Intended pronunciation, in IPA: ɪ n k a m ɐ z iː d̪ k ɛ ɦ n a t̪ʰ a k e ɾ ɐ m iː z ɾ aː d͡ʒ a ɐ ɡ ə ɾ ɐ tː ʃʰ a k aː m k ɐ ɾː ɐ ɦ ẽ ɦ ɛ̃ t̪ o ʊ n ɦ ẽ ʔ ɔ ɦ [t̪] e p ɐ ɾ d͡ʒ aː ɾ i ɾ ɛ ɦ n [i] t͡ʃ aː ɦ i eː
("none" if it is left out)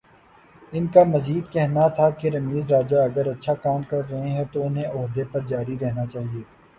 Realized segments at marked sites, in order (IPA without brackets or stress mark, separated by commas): d̪, a